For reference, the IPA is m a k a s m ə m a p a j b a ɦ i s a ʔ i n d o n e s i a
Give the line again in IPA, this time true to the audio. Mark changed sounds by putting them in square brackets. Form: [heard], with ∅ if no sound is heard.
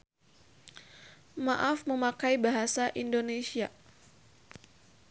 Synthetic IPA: m a [ʔ] a [f] m ə m a [k] a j b a ɦ [a] s a ʔ i n d o n e s i a